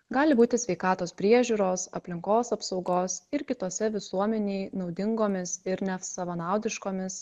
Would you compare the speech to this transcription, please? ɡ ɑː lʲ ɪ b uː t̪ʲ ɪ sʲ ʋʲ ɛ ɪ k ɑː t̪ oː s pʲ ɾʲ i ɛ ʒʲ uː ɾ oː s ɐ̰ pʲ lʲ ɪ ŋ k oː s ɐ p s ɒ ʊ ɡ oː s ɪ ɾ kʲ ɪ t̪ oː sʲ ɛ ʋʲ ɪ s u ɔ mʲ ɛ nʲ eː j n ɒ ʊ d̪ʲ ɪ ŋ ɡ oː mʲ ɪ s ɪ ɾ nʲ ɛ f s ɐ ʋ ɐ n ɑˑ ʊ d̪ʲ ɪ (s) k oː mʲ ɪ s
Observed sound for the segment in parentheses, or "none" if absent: ʃ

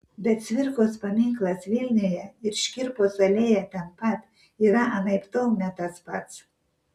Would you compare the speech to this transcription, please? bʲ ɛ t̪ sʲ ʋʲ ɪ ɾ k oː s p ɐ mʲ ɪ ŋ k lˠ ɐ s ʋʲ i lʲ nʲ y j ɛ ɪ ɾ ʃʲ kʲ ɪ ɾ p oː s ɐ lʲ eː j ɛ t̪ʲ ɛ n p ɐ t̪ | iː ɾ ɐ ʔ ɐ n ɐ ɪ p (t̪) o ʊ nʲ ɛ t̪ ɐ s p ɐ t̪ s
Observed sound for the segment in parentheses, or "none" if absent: t̪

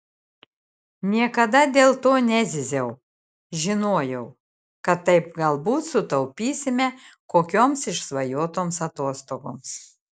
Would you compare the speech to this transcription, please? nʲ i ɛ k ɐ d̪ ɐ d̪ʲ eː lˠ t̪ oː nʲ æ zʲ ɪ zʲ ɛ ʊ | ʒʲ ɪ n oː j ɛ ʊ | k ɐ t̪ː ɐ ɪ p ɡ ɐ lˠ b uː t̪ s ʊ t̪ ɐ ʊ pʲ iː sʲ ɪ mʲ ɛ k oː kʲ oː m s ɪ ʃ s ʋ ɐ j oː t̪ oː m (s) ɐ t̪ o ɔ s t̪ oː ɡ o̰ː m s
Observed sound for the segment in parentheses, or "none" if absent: s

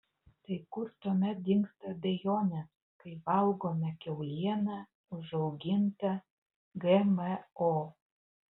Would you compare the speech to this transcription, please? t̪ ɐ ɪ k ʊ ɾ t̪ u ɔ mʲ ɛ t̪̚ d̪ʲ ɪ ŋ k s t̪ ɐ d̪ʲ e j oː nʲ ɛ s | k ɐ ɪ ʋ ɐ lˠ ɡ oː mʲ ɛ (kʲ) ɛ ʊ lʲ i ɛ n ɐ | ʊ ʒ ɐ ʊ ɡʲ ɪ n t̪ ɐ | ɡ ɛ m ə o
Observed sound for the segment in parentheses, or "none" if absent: kʲ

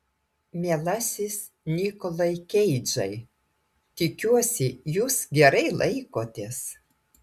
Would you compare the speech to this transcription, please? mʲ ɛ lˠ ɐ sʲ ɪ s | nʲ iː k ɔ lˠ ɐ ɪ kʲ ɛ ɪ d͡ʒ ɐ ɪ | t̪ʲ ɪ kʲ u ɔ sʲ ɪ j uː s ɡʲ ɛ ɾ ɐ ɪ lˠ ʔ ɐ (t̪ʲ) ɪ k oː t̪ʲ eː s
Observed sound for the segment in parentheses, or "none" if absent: none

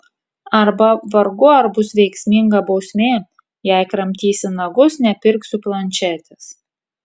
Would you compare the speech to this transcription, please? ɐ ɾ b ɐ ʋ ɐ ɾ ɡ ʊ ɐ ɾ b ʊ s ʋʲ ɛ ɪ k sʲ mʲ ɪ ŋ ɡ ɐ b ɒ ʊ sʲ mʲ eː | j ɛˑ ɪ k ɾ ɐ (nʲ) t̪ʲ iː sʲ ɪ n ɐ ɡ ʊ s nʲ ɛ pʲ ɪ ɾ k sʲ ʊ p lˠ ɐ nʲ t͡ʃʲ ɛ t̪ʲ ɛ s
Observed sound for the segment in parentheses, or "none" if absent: mʲ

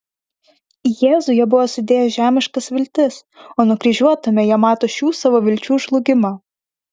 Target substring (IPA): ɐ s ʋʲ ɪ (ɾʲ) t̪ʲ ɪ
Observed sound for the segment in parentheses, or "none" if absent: lʲ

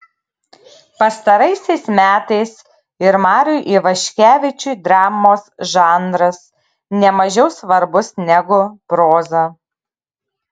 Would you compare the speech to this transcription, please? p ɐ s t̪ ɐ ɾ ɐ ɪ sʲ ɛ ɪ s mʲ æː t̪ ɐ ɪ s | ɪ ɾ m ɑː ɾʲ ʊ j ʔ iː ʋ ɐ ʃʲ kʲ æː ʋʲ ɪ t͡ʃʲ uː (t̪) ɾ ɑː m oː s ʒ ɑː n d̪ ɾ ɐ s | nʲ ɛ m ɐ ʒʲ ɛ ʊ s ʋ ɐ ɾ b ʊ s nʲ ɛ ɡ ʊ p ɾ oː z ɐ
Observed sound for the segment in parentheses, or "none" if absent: d̪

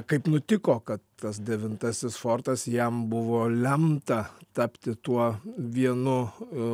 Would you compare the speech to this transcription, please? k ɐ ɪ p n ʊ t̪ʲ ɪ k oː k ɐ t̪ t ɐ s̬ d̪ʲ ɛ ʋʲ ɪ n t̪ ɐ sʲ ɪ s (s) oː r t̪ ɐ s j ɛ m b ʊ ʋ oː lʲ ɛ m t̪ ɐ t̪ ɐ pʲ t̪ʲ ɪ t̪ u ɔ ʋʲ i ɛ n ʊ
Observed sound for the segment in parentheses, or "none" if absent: f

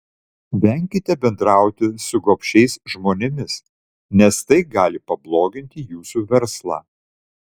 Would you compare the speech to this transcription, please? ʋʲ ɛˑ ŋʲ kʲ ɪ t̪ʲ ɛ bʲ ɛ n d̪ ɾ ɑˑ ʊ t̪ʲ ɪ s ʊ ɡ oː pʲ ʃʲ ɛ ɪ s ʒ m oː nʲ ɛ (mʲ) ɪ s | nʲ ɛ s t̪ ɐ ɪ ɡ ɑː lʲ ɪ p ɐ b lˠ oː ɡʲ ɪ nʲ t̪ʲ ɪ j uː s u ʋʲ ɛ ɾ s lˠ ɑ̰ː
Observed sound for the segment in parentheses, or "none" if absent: mʲ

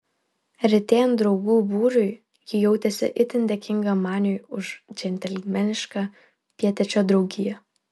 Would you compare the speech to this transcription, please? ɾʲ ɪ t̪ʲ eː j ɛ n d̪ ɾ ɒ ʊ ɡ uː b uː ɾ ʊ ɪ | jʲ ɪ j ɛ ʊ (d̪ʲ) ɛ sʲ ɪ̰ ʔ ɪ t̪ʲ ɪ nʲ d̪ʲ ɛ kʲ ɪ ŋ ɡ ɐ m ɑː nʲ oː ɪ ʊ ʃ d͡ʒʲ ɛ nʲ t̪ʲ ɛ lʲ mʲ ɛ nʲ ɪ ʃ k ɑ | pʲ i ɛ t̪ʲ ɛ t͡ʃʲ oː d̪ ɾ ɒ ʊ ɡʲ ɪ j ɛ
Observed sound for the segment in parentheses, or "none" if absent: t̪ʲ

